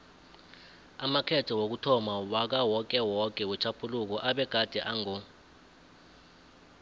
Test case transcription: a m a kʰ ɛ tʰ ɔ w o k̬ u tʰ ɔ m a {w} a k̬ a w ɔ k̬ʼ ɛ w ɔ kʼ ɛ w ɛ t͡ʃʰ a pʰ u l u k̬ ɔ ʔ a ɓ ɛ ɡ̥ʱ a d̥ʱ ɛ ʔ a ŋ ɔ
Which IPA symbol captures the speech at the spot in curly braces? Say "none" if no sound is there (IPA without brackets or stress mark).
w